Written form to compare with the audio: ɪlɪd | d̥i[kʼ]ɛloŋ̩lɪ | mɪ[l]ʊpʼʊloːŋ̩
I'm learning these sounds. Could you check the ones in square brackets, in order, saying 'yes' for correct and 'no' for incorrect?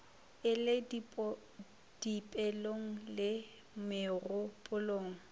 no, no

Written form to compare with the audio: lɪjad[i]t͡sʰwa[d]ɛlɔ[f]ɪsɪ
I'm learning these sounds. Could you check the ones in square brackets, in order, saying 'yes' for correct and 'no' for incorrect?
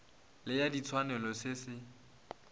yes, no, no

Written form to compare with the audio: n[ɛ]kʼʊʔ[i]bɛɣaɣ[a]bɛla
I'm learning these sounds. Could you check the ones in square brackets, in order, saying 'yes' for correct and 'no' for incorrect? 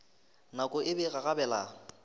no, no, yes

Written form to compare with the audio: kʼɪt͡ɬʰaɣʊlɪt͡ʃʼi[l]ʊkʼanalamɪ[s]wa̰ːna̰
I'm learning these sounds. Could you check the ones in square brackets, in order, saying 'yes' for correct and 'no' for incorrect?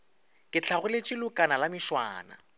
yes, no

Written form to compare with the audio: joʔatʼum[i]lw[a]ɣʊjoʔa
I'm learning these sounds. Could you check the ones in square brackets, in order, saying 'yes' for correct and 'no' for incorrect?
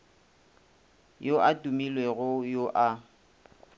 yes, no

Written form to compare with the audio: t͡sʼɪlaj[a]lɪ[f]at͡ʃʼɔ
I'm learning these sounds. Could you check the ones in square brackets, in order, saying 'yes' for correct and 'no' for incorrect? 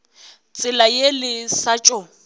no, no

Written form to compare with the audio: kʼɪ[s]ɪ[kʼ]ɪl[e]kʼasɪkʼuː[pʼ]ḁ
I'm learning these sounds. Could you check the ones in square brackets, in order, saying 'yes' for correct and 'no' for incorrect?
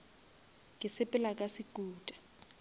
yes, no, no, no

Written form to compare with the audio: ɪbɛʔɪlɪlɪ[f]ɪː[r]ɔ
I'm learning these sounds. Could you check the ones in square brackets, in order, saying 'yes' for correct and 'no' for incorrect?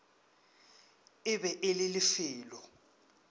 yes, no

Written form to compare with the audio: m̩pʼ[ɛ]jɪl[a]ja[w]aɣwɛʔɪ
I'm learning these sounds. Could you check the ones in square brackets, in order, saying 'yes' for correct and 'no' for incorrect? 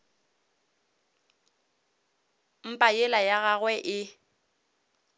no, yes, no

